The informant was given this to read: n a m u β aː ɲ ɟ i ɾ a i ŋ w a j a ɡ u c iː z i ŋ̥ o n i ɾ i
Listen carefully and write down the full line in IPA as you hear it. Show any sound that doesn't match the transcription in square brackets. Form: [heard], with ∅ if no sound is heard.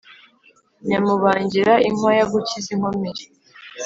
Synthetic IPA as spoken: [ɲ] a m u β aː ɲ ɟ i ɾ a i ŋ w a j a ɡ u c [i] z i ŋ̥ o [m] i ɾ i